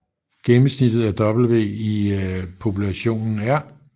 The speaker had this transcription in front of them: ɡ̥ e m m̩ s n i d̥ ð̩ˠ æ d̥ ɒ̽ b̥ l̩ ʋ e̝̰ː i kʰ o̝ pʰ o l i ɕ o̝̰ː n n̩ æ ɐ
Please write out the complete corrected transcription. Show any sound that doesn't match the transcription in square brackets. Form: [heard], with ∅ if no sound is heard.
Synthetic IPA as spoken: ɡ̥ e m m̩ s n i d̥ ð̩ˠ æ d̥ ɒ̽ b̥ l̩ ʋ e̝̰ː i [pʰ] o̝ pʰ [u] l [æ] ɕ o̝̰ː n n̩ æ ɐ